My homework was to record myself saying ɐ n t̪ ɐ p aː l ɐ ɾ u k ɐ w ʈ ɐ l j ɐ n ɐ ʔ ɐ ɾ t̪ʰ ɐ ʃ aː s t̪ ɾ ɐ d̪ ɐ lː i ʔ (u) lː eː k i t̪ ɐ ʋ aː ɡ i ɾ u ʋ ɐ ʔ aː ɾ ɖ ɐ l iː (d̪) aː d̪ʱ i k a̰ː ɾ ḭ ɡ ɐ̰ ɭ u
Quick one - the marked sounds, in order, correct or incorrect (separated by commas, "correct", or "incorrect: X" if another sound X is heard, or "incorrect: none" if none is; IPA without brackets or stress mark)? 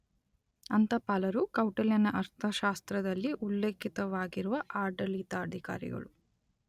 correct, incorrect: t̪